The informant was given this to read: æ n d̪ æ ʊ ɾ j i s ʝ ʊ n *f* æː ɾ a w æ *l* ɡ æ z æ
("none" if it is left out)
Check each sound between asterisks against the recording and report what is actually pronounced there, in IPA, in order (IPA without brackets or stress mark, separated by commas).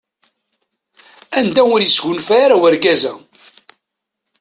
f, ɾ